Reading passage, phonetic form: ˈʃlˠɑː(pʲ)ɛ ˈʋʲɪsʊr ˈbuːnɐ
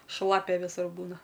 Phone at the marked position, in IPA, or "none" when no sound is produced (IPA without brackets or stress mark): pʲ